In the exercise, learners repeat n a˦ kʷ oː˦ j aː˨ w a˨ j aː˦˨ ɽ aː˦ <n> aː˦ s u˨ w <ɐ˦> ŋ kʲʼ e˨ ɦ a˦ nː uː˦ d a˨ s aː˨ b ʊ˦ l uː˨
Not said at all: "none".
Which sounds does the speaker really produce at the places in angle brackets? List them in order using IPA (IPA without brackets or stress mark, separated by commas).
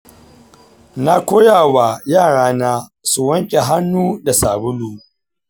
n, ɐ˦